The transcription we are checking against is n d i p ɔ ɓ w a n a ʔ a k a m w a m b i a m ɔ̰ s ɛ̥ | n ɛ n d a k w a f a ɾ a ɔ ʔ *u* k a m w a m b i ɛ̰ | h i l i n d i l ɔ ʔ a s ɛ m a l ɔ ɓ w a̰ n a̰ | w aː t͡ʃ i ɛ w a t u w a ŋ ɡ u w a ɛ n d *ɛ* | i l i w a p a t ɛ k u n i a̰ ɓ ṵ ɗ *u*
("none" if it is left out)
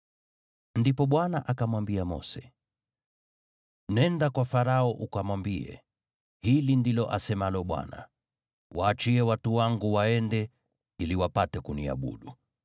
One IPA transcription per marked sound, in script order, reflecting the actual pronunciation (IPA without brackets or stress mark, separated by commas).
u, ɛ, u